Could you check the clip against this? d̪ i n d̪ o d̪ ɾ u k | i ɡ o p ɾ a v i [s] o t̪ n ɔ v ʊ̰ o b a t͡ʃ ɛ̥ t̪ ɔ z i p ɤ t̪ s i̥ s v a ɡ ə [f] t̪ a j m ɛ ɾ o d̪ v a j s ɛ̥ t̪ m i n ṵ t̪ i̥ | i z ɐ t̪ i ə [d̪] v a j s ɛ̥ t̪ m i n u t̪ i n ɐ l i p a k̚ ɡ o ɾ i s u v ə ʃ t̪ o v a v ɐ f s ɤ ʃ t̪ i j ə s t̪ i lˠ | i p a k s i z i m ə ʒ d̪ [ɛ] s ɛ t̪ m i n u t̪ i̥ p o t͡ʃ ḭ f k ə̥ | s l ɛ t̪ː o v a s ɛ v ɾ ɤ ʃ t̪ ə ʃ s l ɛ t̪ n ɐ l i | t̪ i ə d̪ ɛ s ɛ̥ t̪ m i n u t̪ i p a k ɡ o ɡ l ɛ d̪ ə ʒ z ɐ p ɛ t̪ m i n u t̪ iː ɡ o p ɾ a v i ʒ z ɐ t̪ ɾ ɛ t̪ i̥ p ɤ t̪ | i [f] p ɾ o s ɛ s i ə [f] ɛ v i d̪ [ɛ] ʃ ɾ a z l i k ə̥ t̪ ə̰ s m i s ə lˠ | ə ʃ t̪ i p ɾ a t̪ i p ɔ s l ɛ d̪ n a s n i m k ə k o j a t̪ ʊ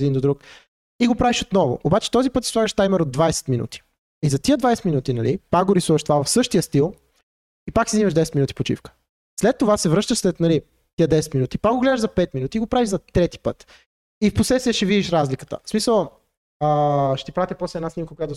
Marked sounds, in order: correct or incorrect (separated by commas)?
incorrect, incorrect, correct, correct, correct, incorrect, incorrect